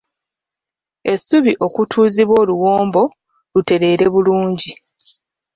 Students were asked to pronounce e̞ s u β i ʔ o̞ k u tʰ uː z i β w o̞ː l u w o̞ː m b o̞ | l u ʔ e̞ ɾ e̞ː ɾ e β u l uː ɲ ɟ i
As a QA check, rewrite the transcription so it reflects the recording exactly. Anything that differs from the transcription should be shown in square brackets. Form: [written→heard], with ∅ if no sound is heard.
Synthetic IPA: e̞ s u β i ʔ o̞ k u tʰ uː z i β w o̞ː l u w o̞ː m b o̞ | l u [ʔ→t] e̞ ɾ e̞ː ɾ e β u l uː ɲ ɟ i